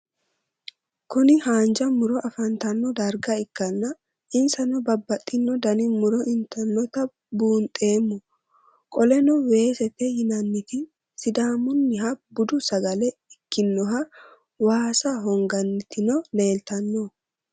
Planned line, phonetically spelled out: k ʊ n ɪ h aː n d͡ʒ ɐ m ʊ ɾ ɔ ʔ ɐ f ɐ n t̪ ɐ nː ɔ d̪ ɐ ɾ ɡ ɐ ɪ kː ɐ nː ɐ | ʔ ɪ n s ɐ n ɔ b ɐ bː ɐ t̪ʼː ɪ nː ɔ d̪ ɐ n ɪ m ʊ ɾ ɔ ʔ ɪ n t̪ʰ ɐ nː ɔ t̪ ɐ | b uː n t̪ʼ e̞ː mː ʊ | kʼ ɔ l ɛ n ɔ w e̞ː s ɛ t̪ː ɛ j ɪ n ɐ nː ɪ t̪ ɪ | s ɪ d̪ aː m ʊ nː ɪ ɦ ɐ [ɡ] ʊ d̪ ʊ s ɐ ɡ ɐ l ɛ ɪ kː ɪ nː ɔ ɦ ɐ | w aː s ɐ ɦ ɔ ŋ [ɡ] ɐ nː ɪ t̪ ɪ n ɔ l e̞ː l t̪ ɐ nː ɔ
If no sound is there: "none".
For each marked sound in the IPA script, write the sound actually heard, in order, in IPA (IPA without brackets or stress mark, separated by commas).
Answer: b, ɡ